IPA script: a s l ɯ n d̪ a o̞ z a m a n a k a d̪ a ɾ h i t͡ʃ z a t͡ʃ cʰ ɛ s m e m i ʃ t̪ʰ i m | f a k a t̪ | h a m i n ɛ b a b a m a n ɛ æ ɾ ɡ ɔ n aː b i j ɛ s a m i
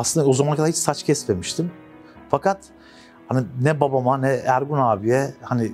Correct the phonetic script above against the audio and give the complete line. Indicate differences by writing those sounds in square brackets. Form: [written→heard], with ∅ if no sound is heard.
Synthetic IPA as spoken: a s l ɯ n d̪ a o̞ z a m a n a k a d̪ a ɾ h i t͡ʃ [z→s] a t͡ʃ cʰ ɛ s m e m i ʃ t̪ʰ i m | f a k a t̪ | h a [m→n] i n ɛ b a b a m a n ɛ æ ɾ ɡ [ɔ→u] n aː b i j ɛ [s→h] a [m→n] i